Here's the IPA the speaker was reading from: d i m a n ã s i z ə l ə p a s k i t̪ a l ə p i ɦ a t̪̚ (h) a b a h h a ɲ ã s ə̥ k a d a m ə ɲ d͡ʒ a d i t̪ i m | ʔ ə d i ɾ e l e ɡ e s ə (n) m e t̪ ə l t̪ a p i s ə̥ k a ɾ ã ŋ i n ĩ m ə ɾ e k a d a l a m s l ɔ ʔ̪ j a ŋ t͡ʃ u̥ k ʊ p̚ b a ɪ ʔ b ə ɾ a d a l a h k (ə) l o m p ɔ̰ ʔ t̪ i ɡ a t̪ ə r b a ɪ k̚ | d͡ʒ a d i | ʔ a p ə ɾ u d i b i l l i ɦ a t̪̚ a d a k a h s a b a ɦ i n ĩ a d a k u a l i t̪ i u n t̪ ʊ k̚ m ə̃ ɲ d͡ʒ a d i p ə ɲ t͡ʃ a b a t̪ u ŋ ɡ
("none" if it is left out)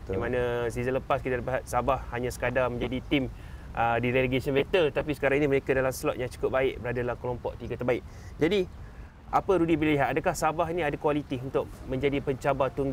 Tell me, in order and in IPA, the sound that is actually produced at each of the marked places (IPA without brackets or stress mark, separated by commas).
s, n, ə